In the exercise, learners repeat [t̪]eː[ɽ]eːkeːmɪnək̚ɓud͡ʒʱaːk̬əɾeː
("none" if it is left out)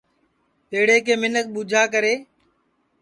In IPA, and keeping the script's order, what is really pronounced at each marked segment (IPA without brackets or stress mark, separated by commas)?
t̪, ɽ